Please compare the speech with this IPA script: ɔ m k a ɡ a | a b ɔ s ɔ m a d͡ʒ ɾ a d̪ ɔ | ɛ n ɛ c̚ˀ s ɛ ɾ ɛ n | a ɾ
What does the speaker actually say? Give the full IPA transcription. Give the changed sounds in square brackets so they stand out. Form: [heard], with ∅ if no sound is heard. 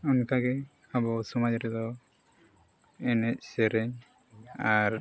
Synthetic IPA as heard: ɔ [n] k a ɡ [ɛ] | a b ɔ s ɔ m a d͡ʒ ɾ [ɛ] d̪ ɔ | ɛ n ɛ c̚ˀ s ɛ ɾ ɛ [ɲ] | a ɾ

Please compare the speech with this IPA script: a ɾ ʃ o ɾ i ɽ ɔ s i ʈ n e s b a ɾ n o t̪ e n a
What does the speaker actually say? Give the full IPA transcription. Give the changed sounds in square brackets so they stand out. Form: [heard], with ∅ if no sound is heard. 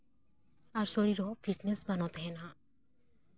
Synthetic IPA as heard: a ɾ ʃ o ɾ i [ɾ] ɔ [f] i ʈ n e s b a [∅] n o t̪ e n a

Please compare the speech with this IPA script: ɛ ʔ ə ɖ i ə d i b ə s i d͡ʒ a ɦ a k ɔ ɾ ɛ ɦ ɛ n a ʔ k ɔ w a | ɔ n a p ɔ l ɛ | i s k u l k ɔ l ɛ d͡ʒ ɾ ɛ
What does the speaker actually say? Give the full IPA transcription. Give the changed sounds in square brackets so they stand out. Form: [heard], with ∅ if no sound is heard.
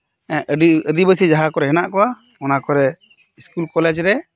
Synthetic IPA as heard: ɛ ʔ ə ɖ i ə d i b ə s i d͡ʒ a ɦ a k ɔ ɾ ɛ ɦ ɛ n a ʔ k ɔ w a | ɔ n a [k] ɔ [ɾ] ɛ | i s k u l k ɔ l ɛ d͡ʒ ɾ ɛ

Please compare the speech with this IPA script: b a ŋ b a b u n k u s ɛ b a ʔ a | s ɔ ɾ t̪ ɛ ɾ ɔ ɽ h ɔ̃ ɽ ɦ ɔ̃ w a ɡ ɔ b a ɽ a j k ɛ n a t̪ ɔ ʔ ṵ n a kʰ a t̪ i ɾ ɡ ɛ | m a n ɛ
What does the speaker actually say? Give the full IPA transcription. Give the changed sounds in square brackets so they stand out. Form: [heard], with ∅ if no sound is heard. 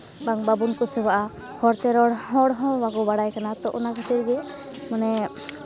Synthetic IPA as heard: b a ŋ b a b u n k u s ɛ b a ʔ a | [h] ɔ ɾ t̪ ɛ ɾ ɔ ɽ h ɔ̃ ɽ ɦ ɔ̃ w a ɡ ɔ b a ɽ a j k [a] n a t̪ ɔ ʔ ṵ n a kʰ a t̪ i ɾ ɡ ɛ | m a n ɛ

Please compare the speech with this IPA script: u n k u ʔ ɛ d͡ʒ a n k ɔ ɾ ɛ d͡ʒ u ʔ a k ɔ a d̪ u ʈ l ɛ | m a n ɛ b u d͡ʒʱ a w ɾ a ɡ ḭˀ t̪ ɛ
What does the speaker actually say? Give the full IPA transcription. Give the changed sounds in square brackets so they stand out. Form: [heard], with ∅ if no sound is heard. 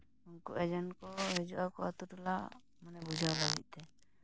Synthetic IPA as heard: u n k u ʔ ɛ d͡ʒ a n k ɔ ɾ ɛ d͡ʒ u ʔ a k ɔ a [t̪] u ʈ l [a] | m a n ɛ b u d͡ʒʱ a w [l] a ɡ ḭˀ t̪ ɛ

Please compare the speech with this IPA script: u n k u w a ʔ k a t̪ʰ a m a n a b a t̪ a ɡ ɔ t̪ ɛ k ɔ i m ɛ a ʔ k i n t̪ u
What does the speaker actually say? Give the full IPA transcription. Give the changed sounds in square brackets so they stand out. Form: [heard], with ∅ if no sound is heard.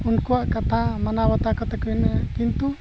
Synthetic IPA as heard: u n k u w a ʔ k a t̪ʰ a m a n a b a t̪ a [k] ɔ t̪ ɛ k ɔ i [n] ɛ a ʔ k i n t̪ u

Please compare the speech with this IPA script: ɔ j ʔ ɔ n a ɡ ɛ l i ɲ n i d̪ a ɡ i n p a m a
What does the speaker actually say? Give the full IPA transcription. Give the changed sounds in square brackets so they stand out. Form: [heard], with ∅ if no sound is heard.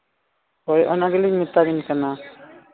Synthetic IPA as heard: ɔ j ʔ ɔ n a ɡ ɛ l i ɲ [m] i [t̪] a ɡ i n [k] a [n] a

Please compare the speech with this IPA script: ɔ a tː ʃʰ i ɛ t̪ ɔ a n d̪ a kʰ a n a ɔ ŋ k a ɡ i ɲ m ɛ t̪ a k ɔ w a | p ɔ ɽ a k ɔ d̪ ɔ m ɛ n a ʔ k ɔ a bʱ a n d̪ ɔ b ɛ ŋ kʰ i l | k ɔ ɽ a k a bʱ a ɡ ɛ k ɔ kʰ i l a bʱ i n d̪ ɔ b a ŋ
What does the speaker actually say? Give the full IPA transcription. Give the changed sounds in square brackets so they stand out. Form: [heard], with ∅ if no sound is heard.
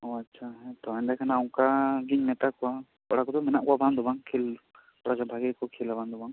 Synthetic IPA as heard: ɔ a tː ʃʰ [a] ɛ t̪ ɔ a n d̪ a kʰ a n a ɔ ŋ k a ɡ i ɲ m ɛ t̪ a k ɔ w a | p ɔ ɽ a k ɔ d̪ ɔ m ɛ n a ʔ k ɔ a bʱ a n d̪ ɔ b [a] ŋ kʰ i l | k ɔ ɽ a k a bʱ a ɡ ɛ k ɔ kʰ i l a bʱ [a] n d̪ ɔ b a ŋ

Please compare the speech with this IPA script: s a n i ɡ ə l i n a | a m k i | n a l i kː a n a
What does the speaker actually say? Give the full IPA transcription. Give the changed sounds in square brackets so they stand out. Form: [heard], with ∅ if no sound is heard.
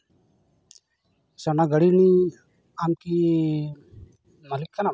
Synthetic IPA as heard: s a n [a] ɡ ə [ɽ] i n [i] | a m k i | [m] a l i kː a n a

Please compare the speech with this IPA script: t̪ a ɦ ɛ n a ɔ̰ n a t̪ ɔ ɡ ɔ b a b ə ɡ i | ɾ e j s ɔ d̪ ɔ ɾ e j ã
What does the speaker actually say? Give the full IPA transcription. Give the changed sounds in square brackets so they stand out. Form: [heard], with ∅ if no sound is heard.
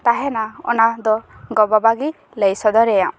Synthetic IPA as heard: t̪ a ɦ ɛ n a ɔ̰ n a [d̪] ɔ ɡ ɔ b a b [a] ɡ i | [l] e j s ɔ d̪ ɔ ɾ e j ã

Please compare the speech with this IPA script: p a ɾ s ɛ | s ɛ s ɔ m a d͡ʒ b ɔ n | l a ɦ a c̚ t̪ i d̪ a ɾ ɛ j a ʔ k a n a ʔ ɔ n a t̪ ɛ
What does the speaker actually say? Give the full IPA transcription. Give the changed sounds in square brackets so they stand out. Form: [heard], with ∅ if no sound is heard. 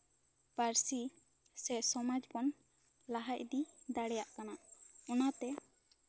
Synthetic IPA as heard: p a ɾ s [i] | s ɛ s ɔ m a d͡ʒ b ɔ n | l a ɦ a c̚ [d̪] i d̪ a [ɽ] ɛ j a ʔ k a n a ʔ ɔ n a t̪ ɛ

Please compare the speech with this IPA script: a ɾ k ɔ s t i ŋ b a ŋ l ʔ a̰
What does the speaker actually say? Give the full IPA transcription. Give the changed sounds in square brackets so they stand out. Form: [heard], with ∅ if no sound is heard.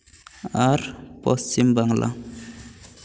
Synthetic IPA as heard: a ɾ [p] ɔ s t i [m] b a ŋ l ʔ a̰

